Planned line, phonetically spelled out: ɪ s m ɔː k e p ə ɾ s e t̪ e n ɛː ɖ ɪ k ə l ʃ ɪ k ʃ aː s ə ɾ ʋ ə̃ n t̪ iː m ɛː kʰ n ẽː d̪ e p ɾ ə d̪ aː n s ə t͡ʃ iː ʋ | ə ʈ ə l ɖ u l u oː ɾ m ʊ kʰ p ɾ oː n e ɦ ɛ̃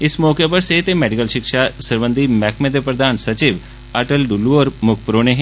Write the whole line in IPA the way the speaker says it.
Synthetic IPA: ɪ s m ɔː k e p ə ɾ s e t̪ e m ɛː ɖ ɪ k ə l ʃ ɪ k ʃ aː s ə ɾ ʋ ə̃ n d̪ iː m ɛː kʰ m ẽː d̪ e p ɾ ə d̪ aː n s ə t͡ʃ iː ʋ | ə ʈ ə l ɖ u l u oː ɾ m ʊ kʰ p ɾ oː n e ɦ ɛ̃

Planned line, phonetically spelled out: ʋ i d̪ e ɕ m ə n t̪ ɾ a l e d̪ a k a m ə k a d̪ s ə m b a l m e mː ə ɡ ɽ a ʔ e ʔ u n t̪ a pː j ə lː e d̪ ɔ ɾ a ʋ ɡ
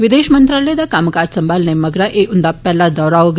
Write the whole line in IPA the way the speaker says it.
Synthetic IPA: ʋ i d̪ e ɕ m ə n t̪ ɾ a l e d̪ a k a m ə k a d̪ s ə m b a l n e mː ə ɡ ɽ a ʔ e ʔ u n d̪ a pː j a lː a d̪ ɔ ɾ a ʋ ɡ

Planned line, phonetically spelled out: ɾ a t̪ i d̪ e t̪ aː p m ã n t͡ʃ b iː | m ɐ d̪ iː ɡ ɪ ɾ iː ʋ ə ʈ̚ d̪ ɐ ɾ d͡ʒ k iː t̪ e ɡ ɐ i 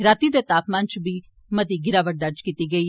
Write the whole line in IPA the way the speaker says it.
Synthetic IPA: ɾ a t̪ i d̪ e t̪ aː p m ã n t͡ʃ b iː | m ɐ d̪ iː ɡ ɪ ɾ aː ʋ ə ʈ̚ d̪ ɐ ɾ d͡ʒ k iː t̪ i ɡ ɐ i

